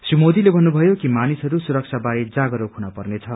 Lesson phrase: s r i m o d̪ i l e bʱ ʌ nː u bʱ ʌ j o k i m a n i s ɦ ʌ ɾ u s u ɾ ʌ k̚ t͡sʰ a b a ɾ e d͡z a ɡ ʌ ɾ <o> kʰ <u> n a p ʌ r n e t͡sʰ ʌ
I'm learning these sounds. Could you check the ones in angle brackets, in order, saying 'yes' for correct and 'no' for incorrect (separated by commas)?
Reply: yes, yes